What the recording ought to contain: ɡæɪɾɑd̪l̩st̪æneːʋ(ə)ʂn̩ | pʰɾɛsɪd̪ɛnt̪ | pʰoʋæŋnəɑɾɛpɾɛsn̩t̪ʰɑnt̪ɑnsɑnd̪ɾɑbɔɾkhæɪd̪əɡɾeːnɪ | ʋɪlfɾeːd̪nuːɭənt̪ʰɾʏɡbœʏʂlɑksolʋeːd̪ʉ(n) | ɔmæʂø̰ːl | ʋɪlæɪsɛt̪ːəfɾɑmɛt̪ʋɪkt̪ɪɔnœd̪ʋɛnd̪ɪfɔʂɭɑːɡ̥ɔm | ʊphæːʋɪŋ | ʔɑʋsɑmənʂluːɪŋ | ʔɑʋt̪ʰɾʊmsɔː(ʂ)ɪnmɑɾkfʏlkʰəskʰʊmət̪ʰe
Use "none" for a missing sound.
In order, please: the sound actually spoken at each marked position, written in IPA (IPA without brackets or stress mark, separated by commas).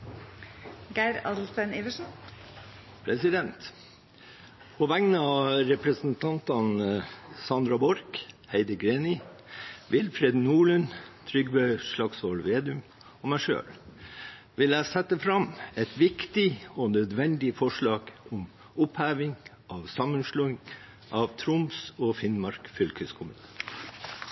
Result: ə, m, f